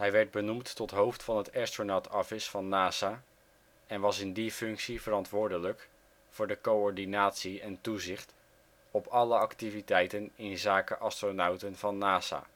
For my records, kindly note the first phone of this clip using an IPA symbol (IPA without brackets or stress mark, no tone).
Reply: ɦ